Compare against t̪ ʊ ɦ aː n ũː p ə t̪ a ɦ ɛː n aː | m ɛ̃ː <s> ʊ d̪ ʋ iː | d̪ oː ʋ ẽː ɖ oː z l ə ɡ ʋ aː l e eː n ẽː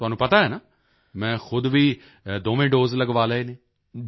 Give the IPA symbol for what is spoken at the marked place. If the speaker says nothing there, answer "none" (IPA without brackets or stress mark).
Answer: x